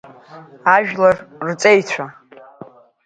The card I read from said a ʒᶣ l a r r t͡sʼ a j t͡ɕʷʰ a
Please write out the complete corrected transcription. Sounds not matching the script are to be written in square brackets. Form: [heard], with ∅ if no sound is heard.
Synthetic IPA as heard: a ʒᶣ l a r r t͡sʼ [e] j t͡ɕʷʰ a